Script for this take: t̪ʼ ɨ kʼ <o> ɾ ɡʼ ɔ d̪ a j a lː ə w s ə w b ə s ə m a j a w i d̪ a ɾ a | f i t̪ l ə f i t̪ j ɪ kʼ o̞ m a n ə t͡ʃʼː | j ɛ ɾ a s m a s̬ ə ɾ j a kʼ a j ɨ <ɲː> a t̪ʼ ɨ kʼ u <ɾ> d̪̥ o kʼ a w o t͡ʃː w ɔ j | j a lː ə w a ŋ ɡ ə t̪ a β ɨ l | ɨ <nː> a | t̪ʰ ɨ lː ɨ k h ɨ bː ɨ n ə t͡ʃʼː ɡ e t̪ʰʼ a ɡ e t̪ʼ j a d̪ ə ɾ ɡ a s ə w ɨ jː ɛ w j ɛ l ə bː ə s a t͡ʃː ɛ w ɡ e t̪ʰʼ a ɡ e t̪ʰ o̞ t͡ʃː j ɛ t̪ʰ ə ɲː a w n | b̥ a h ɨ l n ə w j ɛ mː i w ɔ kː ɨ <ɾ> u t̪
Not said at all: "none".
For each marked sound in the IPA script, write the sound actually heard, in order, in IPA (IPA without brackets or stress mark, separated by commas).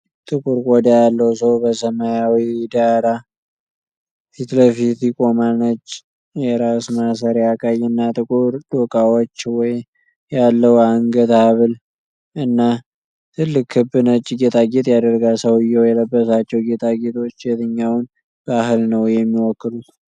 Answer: u, nː, ɾ, nː, l